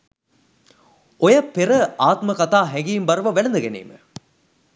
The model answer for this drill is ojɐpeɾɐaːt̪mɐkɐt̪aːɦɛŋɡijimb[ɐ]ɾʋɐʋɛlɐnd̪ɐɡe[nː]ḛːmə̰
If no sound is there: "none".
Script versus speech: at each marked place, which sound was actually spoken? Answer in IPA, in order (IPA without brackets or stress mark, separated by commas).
ɐ, n